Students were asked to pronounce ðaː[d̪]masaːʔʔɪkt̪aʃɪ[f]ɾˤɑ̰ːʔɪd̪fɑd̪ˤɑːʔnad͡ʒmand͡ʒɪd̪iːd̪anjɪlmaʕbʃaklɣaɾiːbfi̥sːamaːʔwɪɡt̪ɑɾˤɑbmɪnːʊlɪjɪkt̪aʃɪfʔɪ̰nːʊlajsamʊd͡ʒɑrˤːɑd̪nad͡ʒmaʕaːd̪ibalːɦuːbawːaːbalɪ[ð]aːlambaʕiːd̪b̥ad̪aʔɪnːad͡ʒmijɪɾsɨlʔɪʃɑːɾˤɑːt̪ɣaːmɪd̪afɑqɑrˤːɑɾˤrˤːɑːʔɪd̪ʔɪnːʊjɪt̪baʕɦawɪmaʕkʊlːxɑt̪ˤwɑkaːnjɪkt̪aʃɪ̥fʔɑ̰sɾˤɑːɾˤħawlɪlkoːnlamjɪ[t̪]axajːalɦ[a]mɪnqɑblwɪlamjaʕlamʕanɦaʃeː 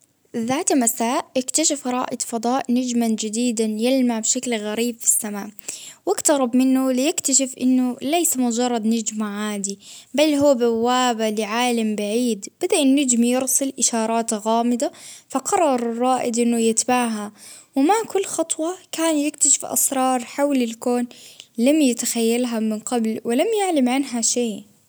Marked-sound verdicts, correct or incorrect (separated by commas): incorrect, correct, incorrect, correct, correct